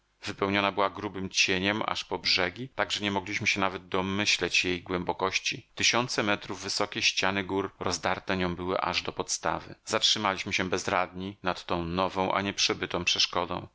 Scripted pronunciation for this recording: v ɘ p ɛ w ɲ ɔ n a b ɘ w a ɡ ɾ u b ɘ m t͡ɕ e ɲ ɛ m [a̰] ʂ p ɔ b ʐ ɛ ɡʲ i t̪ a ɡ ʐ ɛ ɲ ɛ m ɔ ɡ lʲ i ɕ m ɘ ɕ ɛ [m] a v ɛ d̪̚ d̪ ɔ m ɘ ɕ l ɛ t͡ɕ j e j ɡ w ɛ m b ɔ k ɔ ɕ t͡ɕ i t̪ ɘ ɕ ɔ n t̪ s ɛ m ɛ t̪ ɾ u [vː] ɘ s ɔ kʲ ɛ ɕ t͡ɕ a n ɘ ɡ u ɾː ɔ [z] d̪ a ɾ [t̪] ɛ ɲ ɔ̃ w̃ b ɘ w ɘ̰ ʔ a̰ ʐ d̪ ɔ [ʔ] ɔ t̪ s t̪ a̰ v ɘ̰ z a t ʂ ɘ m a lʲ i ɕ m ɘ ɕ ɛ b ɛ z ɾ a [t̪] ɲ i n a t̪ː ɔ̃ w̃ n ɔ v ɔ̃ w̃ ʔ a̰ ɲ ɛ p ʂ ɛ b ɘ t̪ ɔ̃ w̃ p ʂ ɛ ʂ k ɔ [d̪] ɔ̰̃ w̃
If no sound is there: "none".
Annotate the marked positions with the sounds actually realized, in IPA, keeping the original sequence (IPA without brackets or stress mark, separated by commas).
a̰, n, vː, z, t̪, p, d̪, d̪